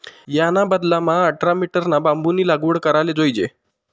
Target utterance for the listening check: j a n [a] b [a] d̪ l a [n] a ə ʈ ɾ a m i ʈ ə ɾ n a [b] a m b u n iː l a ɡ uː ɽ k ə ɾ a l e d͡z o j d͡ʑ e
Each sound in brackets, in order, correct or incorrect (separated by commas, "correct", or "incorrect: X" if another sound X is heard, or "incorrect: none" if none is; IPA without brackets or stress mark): correct, incorrect: ə, incorrect: m, correct